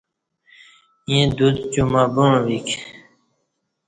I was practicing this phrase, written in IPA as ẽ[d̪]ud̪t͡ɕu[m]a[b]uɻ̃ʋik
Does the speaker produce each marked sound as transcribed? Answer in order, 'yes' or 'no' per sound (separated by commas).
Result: yes, yes, yes